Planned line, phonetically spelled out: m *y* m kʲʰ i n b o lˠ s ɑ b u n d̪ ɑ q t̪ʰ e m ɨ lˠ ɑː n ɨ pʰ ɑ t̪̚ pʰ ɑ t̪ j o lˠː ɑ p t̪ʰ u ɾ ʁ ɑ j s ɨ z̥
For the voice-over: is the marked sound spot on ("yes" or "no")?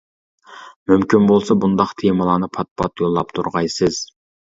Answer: yes